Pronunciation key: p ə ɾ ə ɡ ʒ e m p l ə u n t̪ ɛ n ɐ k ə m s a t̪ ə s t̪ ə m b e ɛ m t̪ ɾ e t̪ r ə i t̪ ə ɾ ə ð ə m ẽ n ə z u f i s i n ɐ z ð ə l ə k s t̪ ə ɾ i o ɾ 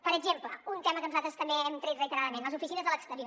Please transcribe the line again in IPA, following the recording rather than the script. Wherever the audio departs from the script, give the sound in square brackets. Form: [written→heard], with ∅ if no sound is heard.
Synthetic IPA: p ə ɾ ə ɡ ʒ e m p l ə u n t̪ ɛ [n→m] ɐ k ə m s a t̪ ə s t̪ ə m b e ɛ m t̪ ɾ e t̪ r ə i t̪ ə ɾ [ə→a] ð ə m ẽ n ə z u f i s i n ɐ z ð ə l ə k s t̪ ə ɾ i o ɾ